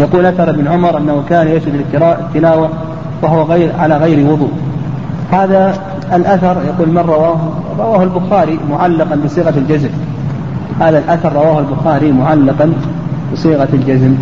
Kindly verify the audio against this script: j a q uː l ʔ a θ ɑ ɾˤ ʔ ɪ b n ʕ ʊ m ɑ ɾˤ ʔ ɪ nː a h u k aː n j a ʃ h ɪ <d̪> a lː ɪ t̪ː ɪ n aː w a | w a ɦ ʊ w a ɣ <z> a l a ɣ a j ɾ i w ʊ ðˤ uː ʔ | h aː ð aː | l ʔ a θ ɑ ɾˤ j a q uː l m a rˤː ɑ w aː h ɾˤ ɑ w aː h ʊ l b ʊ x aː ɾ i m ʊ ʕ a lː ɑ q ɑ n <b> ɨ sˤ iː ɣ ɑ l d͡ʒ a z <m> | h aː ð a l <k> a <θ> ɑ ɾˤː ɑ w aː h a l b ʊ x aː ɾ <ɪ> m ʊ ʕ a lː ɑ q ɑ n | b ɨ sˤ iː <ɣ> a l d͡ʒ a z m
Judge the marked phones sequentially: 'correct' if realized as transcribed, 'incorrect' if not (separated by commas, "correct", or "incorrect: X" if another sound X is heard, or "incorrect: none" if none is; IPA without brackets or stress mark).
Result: correct, incorrect: ʕ, correct, correct, incorrect: ʔ, correct, incorrect: i, correct